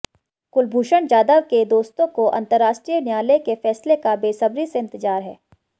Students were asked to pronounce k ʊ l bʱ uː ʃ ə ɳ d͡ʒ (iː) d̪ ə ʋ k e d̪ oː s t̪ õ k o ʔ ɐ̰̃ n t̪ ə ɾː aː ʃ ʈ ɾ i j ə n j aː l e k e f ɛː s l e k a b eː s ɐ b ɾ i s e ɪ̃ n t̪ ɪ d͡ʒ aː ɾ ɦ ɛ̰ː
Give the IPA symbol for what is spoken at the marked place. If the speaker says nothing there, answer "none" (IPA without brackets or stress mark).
aː